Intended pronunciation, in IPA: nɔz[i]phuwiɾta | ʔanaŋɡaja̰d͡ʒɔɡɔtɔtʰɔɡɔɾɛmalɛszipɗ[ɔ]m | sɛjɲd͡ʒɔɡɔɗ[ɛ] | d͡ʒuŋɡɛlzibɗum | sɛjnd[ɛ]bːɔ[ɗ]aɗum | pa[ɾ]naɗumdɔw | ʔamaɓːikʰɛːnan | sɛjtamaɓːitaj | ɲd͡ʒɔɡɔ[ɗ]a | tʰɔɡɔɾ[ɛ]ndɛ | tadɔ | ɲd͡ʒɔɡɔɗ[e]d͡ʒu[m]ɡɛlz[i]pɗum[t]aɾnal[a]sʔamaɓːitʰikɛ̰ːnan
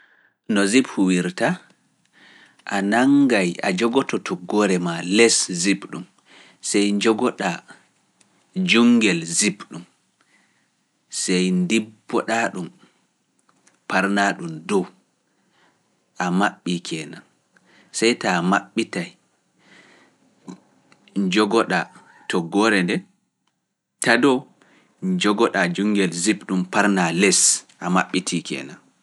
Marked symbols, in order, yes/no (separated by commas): yes, no, no, no, yes, yes, yes, yes, no, no, yes, no, no